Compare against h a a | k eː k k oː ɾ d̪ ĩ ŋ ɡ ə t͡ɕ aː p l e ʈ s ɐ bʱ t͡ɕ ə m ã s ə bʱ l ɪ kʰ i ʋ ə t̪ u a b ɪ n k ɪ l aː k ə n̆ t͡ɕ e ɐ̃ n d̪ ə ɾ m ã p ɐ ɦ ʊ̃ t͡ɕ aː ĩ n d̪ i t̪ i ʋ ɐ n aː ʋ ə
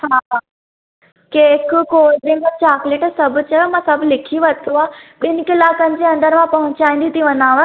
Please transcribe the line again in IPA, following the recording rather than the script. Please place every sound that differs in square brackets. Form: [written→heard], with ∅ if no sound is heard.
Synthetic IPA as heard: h a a | k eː k k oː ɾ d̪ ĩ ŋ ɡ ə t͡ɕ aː [p→k] l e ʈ s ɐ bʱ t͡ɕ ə m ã s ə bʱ l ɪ kʰ i ʋ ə t̪ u a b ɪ n k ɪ l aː k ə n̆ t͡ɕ e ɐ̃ n d̪ ə ɾ m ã p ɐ ɦ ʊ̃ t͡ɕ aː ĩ n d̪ i t̪ i ʋ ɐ n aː ʋ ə